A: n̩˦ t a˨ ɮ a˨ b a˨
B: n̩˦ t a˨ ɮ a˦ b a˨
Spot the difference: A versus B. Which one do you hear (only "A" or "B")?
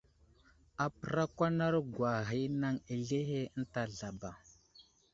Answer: A